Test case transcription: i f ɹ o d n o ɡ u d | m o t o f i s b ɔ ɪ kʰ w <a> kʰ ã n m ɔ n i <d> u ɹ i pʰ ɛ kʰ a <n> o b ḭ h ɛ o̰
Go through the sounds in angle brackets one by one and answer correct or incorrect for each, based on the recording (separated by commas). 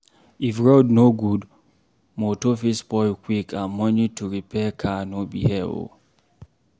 incorrect, incorrect, correct